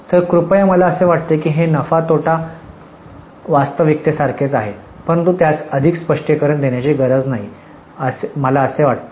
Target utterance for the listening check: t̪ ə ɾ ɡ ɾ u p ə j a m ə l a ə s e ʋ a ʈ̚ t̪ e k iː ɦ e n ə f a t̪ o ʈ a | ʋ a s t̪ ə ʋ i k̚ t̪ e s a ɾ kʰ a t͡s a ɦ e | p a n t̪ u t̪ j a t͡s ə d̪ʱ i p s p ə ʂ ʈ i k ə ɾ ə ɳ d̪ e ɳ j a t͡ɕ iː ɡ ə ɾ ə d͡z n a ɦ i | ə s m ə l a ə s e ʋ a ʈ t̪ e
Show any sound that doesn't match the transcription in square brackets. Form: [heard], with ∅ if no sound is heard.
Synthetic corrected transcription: t̪ ə ɾ [k] ɾ u p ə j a m ə l a ə s e ʋ a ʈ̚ t̪ e k iː ɦ e n ə f a t̪ o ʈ a | ʋ a s t̪ ə ʋ i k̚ t̪ e s a ɾ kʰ [e] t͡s a ɦ e | p [ə] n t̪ u t̪ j a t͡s ə d̪ʱ i [k] s p ə ʂ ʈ i k ə ɾ ə ɳ d̪ e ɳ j a t͡ɕ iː ɡ ə ɾ ə d͡z n a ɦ i | ə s m ə l a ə s e ʋ a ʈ t̪ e